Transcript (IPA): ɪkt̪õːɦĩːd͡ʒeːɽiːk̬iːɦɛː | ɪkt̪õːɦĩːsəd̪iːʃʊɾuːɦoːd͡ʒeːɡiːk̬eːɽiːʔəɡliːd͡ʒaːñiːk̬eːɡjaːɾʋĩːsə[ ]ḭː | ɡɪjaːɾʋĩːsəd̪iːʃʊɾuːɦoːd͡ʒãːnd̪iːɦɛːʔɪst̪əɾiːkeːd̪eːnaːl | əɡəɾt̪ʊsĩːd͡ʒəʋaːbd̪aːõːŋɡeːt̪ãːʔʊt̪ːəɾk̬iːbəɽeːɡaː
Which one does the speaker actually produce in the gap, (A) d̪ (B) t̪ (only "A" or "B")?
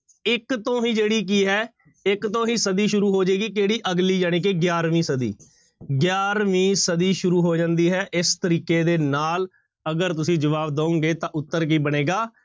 A